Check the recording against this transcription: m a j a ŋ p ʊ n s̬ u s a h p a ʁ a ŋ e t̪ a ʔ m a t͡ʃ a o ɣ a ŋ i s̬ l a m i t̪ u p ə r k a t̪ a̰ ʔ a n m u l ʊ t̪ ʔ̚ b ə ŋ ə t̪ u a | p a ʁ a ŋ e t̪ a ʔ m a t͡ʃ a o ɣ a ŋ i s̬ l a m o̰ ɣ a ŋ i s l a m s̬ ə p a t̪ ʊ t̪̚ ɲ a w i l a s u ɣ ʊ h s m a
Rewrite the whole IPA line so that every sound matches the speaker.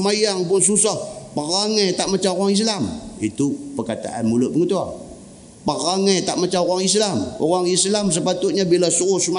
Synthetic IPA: m a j a ŋ p ʊ n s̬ u s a h p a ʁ a ŋ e t̪ a ʔ m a t͡ʃ a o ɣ a ŋ i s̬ l a m i t̪ u p ə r k a t̪ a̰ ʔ a n m u l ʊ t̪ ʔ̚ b ə ŋ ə t̪ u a | p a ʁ a ŋ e t̪ a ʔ m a t͡ʃ a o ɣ a ŋ i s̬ l a m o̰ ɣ a ŋ i s l a m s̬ ə p a t̪ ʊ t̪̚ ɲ a b i l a s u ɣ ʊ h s m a